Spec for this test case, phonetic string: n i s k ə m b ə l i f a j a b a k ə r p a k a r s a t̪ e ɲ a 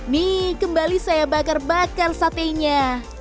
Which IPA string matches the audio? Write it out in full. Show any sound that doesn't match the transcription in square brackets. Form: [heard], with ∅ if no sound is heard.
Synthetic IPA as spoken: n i [∅] k ə m b [a] l i [s] a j a b a k [a] r [b] a k a r s a t̪ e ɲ a